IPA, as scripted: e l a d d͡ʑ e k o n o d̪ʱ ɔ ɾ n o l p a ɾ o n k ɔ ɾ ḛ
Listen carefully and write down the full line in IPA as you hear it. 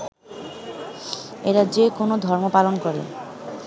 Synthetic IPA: e ɾ a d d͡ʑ e k o n o d̪ʱ ɔ ɾ m o p a l o n k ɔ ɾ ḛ